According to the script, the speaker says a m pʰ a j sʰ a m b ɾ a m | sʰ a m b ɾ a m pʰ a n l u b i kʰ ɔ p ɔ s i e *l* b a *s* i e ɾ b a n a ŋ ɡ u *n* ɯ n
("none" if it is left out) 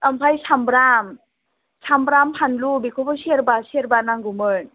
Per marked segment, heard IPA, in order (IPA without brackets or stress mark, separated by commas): ɾ, s, m